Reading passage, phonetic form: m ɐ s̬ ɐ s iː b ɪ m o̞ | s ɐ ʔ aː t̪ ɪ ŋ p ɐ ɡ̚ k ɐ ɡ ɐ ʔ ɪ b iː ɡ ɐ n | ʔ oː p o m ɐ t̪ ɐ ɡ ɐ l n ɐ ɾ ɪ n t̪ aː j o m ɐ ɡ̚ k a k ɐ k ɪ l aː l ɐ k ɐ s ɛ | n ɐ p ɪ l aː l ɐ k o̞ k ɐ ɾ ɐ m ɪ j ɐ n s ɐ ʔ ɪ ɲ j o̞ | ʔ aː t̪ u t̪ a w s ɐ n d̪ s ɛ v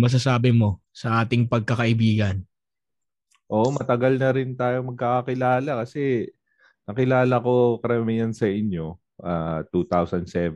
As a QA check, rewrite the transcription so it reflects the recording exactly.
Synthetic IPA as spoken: m ɐ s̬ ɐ s aː b ɪ m o̞ | s ɐ ʔ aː t̪ ɪ ŋ p ɐ ɡ̚ k ɐ k ɐ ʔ ɪ b iː ɡ ɐ n | ʔ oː ʔ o m ɐ t̪ ɐ ɡ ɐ l n ɐ ɾ ɪ n t̪ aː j o m ɐ ɡ̚ k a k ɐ k ɪ l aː l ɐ k ɐ s ɛ | n ɐ k ɪ l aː l ɐ k o̞ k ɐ ɾ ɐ m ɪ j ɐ n s ɐ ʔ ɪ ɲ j o̞ | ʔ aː t̪ u t̪ a w s ɐ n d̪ s ɛ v